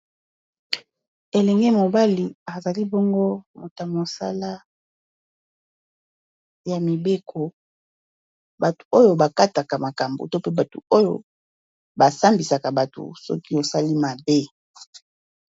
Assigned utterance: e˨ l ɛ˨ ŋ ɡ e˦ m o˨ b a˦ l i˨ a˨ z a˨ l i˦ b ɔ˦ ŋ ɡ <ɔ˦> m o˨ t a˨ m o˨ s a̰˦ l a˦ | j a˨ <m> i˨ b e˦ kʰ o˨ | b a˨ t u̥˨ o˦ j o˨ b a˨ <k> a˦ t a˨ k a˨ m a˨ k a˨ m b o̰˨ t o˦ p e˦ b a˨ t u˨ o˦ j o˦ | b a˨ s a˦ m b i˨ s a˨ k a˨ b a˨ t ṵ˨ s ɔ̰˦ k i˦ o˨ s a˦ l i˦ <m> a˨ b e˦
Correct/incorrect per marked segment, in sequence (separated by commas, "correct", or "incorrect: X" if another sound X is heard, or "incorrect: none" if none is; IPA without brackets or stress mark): incorrect: o˦, correct, correct, correct